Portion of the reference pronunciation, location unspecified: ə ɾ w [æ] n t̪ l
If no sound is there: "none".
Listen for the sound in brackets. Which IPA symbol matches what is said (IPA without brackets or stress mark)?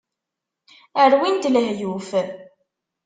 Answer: i